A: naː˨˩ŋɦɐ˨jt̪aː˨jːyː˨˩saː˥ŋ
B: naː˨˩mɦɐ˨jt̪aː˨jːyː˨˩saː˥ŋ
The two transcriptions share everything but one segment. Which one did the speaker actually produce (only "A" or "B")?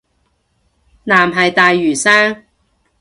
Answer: B